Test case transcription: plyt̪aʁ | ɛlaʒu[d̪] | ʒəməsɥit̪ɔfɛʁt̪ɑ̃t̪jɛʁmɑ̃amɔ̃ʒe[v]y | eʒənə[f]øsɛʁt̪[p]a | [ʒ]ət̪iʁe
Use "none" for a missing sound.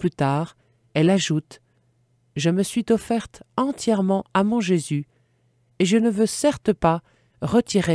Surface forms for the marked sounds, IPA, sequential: t̪, z, v, p, ʁ

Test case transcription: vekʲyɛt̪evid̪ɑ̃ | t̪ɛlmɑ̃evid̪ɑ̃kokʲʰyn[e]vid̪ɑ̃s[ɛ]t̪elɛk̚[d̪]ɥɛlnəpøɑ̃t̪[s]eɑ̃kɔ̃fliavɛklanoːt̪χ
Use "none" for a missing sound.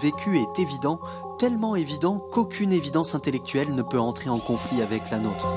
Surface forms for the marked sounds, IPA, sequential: e, ɛ̃, t̪, χ

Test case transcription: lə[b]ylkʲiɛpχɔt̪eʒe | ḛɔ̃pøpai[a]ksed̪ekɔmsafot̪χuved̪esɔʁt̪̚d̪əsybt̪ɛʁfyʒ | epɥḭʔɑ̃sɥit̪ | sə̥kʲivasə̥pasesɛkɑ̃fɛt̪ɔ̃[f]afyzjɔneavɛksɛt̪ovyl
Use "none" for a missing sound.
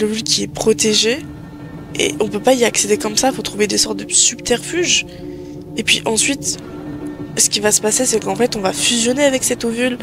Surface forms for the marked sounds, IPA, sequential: v, a, v

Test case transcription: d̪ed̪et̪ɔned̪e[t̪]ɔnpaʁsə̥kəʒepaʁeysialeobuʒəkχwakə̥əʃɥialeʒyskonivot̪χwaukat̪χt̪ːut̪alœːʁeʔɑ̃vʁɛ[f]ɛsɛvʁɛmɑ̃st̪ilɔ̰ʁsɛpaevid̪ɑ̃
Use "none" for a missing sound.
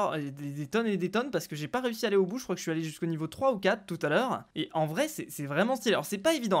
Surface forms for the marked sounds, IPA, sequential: t̪, s

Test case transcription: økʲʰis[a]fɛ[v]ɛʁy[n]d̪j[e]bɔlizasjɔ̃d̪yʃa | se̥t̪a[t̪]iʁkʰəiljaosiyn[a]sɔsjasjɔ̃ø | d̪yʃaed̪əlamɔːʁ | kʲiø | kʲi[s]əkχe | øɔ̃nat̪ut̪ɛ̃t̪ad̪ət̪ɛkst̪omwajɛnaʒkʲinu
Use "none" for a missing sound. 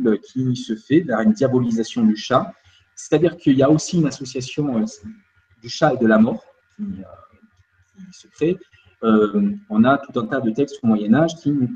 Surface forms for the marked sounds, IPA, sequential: ə, v, n, a, d̪, a, s

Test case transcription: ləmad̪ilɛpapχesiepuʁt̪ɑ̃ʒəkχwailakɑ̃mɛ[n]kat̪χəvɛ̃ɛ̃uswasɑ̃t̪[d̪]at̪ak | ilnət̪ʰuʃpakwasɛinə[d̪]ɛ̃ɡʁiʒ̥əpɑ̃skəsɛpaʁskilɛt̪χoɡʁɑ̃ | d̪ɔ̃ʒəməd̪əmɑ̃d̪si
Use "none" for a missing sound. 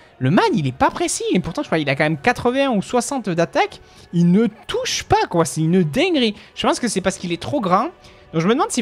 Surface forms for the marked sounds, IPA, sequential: m, d̪, d̪

